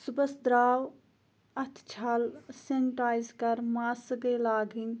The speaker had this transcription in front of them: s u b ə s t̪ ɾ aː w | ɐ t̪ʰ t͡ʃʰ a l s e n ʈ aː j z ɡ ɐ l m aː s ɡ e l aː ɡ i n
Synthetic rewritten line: s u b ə s d̪ ɾ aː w | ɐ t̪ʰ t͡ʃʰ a l s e n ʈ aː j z k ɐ ɾ m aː s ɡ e l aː ɡ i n